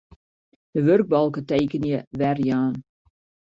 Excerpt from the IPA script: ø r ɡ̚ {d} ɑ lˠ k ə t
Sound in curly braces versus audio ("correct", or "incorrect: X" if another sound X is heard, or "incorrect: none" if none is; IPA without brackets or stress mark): incorrect: b